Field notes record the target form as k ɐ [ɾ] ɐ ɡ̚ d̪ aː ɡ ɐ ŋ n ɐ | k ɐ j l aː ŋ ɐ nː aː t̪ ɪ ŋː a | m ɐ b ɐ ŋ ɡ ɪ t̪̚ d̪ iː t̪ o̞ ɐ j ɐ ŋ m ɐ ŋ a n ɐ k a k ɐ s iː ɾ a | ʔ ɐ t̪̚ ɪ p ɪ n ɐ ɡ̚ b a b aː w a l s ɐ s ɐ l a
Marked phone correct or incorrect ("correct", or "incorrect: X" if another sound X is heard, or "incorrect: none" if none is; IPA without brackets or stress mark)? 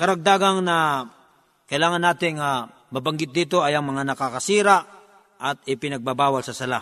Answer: correct